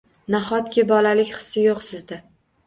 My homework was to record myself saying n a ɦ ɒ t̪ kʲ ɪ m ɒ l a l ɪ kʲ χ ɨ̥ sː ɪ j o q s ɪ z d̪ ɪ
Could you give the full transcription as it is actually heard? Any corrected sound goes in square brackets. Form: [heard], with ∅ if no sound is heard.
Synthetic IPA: n a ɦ ɒ t̪ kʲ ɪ [b] ɒ l a l ɪ kʲ χ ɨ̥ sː ɪ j o q s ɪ z d̪ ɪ